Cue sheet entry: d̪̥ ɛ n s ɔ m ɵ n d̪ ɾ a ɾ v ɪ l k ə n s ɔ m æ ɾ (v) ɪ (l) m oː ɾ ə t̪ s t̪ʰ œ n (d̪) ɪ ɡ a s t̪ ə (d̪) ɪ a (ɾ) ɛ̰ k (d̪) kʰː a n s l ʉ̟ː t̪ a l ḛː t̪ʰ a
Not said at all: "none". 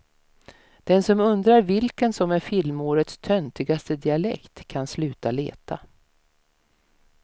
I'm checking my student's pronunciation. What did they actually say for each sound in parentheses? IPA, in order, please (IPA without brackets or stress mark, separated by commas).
f, l, t̪, d̪, l, t̪